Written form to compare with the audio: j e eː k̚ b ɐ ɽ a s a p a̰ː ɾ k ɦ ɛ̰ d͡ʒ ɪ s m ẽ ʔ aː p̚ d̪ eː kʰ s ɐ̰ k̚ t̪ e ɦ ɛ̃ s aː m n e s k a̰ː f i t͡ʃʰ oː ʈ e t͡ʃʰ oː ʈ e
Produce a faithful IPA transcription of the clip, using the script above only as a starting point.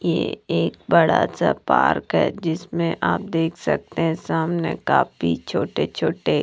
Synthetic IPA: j e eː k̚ b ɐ ɽ a s a p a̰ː ɾ k ɦ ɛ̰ d͡ʒ ɪ s m ẽ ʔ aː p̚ d̪ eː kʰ s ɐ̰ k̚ t̪ e ɦ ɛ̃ s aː m n e k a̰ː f i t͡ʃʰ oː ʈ e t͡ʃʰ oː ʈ e